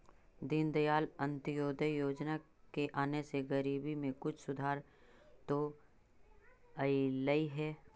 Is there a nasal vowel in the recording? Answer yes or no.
yes